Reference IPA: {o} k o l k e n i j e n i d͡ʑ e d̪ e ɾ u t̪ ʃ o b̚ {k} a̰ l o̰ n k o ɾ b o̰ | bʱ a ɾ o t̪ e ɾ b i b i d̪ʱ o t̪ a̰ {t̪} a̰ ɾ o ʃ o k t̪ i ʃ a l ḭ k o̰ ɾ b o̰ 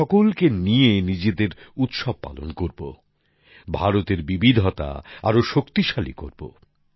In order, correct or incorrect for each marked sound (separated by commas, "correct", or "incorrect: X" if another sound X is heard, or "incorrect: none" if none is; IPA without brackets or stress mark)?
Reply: incorrect: ɔ, incorrect: p, incorrect: none